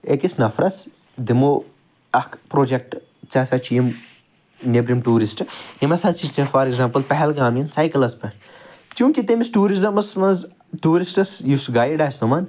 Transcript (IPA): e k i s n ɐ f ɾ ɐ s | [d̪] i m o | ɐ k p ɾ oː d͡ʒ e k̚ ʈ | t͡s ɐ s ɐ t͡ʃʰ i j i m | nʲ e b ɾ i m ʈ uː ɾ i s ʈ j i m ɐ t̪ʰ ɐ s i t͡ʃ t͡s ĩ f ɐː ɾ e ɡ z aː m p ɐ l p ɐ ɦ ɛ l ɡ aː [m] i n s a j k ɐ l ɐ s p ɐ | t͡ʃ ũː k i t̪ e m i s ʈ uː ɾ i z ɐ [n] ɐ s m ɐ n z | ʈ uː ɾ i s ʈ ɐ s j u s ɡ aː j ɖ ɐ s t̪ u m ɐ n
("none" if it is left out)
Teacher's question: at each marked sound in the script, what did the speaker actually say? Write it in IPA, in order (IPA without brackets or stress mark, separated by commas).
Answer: d̪, m, m